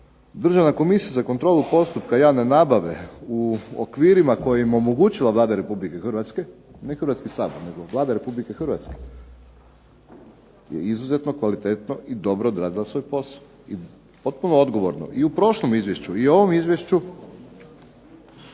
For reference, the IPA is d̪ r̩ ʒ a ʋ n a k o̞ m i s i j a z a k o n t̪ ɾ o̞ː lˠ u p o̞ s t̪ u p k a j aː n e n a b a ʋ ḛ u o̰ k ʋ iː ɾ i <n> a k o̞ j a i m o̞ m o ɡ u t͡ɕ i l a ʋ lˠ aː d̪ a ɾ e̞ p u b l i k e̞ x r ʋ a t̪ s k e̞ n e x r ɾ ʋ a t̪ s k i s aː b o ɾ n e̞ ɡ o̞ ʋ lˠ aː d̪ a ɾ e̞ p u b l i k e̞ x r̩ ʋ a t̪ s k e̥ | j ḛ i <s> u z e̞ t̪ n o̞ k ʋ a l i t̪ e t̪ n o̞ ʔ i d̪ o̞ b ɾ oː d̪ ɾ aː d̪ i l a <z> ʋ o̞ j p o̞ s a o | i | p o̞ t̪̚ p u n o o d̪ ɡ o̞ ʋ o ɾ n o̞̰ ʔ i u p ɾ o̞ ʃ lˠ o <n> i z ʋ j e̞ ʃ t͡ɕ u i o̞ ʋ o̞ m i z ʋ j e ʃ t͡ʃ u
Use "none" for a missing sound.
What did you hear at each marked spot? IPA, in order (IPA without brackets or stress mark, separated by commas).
m, z, s, m